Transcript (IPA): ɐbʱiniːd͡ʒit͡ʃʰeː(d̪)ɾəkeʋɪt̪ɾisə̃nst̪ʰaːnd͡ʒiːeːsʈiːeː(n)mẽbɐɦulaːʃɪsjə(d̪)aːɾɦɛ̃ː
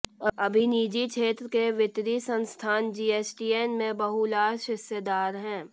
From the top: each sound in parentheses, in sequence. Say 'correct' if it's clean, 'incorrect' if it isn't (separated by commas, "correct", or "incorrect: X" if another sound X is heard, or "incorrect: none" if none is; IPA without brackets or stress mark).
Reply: incorrect: t̪, correct, correct